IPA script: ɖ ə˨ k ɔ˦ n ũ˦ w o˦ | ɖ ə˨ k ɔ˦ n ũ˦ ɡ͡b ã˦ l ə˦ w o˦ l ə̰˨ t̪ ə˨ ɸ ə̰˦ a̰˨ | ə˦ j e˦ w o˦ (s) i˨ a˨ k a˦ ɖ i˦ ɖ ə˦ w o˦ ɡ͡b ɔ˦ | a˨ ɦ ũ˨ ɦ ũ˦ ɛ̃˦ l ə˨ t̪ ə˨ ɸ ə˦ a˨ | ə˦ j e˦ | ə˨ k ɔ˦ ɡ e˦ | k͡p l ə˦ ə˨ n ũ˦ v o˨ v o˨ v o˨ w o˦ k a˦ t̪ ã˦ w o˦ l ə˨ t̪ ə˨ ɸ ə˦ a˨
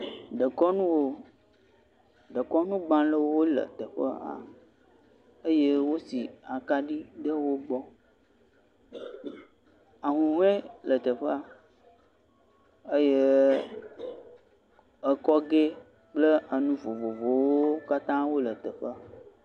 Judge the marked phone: correct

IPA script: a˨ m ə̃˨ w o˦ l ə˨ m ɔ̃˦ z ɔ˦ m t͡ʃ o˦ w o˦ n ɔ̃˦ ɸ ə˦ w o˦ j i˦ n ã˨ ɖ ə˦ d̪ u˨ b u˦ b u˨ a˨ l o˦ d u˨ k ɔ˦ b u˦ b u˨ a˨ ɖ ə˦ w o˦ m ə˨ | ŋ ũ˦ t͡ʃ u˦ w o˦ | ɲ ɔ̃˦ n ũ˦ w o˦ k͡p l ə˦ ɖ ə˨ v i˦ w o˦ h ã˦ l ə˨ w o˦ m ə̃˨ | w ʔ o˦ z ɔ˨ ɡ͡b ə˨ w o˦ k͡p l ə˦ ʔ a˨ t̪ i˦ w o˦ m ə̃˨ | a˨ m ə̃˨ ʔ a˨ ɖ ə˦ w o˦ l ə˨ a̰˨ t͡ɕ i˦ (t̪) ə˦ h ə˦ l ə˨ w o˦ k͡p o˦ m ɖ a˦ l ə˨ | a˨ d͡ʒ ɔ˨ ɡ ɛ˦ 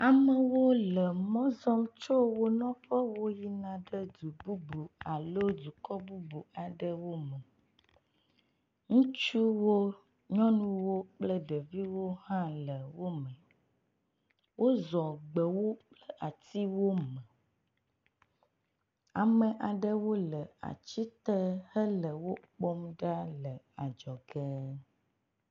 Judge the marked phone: correct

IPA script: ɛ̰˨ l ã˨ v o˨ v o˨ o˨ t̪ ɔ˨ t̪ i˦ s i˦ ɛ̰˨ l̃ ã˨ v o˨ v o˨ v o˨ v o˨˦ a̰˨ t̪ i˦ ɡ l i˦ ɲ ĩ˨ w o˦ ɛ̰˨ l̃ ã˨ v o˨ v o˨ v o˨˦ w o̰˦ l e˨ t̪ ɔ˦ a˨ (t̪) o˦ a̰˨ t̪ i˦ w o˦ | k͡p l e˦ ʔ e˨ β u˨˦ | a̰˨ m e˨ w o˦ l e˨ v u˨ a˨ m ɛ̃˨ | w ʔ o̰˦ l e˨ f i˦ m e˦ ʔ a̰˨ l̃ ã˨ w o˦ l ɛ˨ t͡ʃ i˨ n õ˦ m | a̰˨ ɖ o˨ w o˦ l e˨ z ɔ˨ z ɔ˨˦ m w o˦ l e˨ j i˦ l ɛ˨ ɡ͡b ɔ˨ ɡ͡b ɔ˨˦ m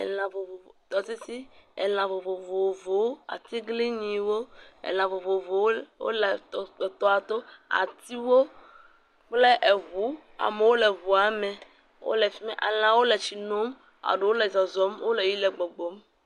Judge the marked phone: correct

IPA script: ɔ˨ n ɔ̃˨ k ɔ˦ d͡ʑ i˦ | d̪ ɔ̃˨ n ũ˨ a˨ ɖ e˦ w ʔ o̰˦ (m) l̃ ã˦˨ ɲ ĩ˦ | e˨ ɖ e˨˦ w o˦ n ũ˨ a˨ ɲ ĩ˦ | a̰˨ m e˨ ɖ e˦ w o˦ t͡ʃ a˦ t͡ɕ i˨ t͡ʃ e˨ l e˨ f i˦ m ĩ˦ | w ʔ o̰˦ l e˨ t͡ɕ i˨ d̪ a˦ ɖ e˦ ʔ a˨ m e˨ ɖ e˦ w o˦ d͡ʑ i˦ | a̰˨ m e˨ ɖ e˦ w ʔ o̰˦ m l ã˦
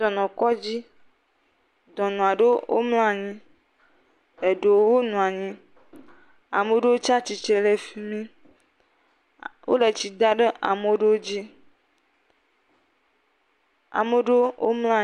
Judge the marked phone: correct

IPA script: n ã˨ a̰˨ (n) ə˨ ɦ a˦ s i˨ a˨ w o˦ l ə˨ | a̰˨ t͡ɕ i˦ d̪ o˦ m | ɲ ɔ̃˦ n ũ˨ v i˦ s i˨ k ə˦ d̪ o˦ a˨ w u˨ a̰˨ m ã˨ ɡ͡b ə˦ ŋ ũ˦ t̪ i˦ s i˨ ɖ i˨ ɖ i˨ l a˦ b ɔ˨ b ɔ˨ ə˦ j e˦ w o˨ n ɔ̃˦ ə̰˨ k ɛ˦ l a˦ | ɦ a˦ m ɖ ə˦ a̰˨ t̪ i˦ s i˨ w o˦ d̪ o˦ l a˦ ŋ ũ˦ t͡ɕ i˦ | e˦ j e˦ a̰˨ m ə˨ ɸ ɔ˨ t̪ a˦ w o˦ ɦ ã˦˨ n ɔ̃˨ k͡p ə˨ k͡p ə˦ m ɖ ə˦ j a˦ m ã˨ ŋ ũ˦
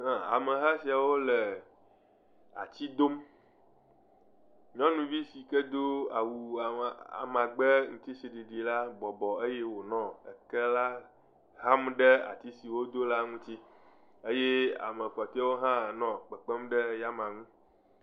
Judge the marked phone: incorrect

